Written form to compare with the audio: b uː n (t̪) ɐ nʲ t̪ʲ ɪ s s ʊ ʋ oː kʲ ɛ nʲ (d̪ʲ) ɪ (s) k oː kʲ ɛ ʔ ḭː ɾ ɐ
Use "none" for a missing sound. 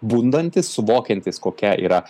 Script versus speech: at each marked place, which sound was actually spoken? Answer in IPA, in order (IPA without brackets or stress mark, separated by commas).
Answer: d̪, t̪ʲ, s